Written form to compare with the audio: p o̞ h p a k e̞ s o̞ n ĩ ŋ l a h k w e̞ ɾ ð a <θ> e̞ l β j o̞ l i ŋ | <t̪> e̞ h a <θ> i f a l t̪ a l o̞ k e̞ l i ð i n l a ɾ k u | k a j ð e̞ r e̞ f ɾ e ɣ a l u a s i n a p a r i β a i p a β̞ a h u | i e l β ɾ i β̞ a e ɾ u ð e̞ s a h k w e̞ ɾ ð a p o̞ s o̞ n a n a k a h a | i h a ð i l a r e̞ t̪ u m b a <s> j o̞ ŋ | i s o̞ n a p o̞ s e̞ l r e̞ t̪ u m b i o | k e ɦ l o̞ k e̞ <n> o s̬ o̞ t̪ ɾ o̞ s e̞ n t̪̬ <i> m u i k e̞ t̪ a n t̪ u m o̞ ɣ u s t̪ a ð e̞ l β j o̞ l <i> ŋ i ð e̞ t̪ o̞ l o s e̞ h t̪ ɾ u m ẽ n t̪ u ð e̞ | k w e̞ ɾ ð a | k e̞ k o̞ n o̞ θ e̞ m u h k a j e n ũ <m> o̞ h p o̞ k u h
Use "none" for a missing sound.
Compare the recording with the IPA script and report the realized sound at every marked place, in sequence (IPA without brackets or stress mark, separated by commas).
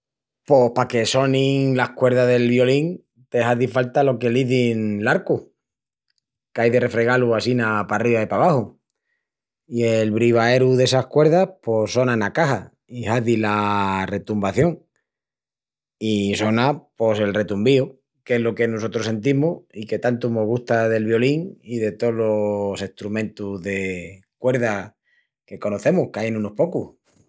ð, t̪, ð, θ, n, i, i, n